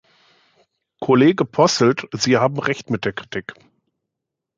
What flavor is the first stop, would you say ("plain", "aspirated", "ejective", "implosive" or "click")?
aspirated